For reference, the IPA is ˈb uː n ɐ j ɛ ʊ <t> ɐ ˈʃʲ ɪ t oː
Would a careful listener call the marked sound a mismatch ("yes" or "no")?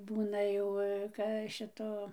yes